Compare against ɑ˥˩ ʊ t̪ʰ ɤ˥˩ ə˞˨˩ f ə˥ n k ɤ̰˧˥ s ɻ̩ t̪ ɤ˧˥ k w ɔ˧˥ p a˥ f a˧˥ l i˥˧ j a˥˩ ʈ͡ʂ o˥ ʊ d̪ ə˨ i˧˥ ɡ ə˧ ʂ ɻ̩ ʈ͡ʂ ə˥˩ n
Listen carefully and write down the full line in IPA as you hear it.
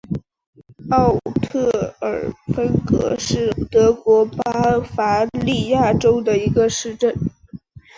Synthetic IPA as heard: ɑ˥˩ ʊ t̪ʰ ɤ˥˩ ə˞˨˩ f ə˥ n k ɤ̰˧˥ ʂ ɻ̩ t̪ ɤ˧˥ k w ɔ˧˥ p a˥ f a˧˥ l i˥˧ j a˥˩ ʈ͡ʂ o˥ ʊ d̪ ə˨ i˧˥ ɡ ə˧ ʂ ɻ̩ ʈ͡ʂ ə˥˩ n